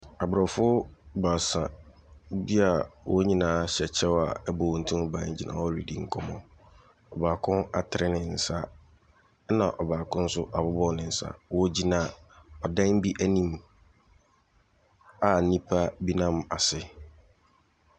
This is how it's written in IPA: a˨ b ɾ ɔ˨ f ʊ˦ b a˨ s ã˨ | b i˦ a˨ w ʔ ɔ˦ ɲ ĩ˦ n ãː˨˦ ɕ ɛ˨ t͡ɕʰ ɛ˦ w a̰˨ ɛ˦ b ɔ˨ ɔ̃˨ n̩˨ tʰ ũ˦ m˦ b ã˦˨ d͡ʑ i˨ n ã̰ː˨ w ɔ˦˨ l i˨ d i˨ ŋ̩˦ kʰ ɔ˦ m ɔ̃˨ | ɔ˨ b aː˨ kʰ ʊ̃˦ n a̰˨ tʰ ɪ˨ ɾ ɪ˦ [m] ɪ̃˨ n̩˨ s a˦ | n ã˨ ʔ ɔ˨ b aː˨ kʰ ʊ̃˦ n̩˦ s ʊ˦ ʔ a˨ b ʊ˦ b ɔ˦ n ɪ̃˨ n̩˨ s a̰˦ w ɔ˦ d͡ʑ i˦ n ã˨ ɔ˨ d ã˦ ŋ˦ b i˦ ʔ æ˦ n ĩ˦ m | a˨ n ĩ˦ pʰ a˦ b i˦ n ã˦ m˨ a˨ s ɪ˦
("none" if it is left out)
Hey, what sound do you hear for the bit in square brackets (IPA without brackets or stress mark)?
n